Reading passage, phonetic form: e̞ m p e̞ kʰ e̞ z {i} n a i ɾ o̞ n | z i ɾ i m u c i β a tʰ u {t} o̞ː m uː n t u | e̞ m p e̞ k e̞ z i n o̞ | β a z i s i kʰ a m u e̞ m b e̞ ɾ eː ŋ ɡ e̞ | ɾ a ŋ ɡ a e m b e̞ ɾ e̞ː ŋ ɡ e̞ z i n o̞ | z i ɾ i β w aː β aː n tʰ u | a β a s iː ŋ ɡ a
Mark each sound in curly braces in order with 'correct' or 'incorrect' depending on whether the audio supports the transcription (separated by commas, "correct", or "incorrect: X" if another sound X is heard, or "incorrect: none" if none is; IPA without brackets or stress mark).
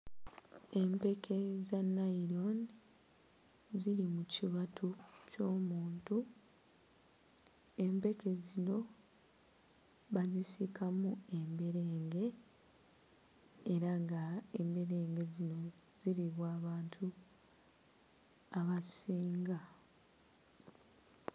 incorrect: a, incorrect: c